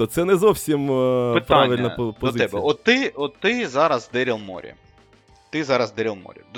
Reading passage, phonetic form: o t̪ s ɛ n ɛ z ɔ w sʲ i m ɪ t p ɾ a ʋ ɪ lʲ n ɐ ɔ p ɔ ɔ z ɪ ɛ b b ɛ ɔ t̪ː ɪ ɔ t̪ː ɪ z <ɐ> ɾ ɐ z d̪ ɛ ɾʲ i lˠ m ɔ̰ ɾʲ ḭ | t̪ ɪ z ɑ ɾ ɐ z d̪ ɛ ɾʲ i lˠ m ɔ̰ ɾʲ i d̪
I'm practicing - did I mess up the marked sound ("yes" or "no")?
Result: yes